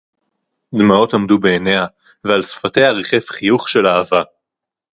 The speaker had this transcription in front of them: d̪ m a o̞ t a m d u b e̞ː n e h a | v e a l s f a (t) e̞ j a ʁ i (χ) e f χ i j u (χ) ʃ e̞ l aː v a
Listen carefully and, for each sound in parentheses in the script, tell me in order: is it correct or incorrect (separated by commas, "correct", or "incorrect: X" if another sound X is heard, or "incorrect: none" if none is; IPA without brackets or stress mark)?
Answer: correct, correct, correct